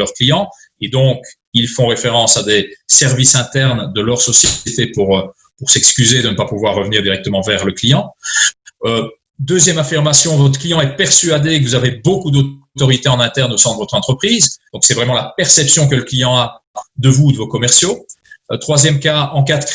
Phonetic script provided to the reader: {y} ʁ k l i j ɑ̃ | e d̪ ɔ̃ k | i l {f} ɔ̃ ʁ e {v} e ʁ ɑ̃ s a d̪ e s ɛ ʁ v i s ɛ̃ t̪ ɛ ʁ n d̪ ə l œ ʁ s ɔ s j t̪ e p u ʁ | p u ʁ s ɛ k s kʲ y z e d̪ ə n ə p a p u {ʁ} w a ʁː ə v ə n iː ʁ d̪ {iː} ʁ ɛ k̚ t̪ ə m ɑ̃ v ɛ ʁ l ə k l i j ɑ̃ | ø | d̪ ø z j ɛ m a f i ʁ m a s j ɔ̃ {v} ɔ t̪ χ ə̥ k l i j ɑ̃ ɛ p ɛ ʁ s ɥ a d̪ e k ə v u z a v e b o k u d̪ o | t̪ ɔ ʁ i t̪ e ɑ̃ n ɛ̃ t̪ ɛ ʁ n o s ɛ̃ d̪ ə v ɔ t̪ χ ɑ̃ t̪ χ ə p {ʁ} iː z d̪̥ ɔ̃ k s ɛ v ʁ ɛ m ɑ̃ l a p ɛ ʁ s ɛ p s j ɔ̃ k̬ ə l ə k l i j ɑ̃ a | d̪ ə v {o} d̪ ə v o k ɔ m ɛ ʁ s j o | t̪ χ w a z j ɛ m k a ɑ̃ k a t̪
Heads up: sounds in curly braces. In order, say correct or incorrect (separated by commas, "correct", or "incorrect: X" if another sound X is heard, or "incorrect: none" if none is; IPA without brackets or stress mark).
incorrect: œ, correct, incorrect: f, incorrect: v, incorrect: i, correct, incorrect: χ, incorrect: u